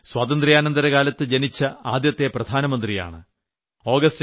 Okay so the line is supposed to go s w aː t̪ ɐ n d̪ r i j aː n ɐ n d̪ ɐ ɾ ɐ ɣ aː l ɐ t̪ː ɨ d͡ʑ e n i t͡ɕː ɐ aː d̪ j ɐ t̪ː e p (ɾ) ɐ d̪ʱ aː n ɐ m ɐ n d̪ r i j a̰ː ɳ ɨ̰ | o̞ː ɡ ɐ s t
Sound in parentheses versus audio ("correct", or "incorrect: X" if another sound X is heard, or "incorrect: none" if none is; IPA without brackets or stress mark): incorrect: r